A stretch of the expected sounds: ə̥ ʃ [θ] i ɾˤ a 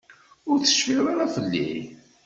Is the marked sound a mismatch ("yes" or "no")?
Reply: yes